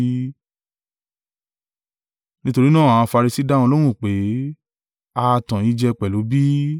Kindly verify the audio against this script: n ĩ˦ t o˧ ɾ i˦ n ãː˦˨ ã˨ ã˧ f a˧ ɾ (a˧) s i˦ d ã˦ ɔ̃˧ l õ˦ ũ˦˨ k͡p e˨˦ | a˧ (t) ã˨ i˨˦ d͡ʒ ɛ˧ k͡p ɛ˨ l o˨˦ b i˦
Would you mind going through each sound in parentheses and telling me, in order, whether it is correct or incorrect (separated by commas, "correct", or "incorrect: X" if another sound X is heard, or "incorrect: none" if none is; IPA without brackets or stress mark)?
incorrect: i˧, correct